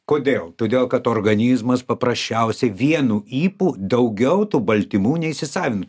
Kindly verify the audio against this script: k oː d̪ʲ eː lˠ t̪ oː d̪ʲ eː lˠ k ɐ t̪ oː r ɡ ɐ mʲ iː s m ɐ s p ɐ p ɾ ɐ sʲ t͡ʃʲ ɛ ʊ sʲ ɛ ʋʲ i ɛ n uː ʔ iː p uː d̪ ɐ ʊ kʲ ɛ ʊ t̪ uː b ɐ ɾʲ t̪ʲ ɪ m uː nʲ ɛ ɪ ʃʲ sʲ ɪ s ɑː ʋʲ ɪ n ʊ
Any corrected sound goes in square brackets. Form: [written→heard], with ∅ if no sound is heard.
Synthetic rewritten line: k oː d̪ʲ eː lˠ t̪ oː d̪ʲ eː lˠ k ɐ t̪ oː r ɡ ɐ [mʲ→nʲ] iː [s→z] m ɐ s p ɐ p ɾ ɐ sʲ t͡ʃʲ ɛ ʊ sʲ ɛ ʋʲ i ɛ n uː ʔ iː p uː d̪ ɐ ʊ [kʲ→ɡʲ] ɛ ʊ t̪ uː b ɐ [ɾʲ→lʲ] t̪ʲ ɪ m uː nʲ ɛ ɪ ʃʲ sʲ ɪ s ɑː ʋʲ ɪ n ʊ